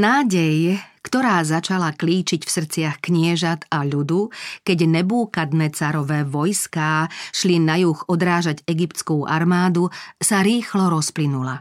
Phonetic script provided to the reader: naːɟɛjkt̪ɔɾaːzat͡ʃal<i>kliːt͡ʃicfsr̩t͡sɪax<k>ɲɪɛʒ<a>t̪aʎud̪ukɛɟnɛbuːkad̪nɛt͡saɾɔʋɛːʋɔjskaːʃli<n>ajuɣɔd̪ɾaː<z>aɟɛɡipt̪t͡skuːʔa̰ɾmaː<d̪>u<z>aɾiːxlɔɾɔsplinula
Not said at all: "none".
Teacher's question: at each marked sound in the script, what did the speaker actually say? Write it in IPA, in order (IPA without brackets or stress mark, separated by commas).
a, k, a, n, ʒ, d̪, s